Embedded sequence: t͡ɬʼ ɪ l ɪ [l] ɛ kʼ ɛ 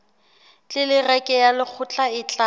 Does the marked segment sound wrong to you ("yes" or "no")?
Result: yes